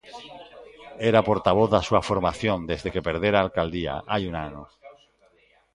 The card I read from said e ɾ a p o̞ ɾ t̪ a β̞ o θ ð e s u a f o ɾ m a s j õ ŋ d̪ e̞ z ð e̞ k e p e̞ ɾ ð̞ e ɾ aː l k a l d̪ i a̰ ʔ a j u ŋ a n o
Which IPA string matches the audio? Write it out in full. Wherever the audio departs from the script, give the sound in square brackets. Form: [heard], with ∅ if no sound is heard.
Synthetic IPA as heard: e ɾ a p o̞ ɾ t̪ a β̞ o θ ð [a] s u a f o ɾ m a [θ] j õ [n] d̪ e̞ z ð e̞ k e p e̞ ɾ ð̞ e ɾ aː l k a l d̪ i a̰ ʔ a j u [n] a n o